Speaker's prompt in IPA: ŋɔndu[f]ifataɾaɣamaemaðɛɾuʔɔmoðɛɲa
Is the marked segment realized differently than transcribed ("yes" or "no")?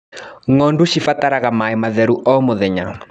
yes